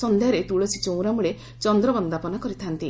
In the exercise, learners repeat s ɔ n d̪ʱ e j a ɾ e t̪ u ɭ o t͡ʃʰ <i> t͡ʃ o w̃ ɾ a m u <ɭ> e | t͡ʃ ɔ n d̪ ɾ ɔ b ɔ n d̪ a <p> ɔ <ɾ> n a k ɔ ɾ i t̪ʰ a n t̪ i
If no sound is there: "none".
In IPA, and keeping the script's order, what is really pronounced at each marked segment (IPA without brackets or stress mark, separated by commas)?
i, ɭ, p, none